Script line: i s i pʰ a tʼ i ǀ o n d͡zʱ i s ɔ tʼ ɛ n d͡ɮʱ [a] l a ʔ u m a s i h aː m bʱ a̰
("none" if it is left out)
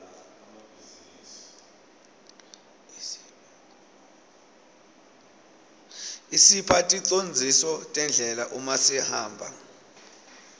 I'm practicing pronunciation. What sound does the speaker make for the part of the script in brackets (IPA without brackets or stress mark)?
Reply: ɛ